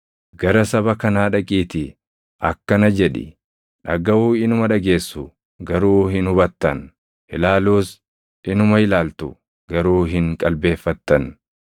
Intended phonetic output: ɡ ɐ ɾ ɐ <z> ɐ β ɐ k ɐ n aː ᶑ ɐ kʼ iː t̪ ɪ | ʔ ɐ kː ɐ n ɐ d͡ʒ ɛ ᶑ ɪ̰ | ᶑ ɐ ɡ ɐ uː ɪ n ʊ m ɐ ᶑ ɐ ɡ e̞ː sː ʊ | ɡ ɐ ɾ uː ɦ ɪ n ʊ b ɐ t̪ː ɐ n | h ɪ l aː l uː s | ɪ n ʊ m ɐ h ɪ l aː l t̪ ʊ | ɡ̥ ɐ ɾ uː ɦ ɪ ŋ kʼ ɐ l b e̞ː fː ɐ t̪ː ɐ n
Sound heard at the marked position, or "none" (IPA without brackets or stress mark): s